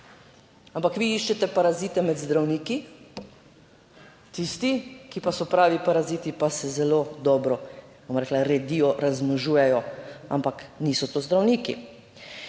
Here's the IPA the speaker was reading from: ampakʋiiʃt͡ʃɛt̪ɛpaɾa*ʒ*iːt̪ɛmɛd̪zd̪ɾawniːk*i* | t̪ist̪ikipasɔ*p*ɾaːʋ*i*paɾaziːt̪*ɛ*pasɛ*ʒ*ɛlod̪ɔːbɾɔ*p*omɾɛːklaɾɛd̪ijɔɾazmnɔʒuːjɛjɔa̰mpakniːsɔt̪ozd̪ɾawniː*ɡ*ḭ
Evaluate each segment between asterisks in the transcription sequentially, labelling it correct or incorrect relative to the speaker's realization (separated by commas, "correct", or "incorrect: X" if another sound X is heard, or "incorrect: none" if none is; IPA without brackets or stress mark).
incorrect: z, correct, correct, correct, incorrect: i, incorrect: z, incorrect: b, incorrect: k